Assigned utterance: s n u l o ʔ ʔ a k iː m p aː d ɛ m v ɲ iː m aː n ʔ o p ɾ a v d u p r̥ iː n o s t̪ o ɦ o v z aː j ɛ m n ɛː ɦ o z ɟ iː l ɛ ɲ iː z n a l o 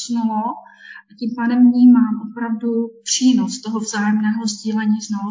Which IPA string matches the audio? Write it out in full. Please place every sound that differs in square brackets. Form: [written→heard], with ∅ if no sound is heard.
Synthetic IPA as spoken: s n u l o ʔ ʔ a [k→c] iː m p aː d ɛ m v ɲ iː m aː [n→m] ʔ o p ɾ a v d u p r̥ iː n o s t̪ o ɦ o v z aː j ɛ m n ɛː ɦ o z ɟ iː l ɛ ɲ iː z n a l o